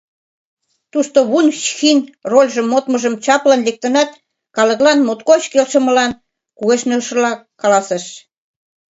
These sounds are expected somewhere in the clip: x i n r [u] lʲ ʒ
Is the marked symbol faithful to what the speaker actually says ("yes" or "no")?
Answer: no